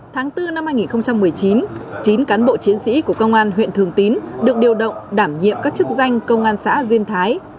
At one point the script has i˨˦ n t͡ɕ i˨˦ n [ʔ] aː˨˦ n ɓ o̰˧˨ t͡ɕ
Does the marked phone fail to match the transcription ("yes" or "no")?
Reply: yes